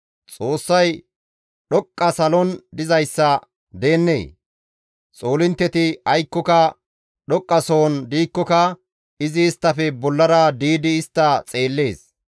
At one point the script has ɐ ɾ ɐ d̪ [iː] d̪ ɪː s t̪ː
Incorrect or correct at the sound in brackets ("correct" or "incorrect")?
correct